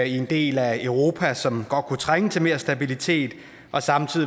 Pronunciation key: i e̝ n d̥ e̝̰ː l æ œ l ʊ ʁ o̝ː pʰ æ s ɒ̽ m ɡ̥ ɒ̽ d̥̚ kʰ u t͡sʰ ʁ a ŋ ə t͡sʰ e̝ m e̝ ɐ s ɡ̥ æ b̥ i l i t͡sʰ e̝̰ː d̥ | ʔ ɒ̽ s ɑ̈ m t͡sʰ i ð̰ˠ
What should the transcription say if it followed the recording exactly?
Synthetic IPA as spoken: i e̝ n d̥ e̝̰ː l æ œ ʊ ʁ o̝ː pʰ æ s ɒ̽ m ɡ̥ ɒ̽ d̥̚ kʰ u t͡sʰ ʁ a ŋ ə t͡sʰ e̝ m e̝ ɐ s d̥ æ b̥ i l i t͡sʰ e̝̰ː d̥ | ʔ ɒ̽ s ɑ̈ m t͡sʰ i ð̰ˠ